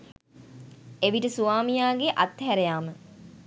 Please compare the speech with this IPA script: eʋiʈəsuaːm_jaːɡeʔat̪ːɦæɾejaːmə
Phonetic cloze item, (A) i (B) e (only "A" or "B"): A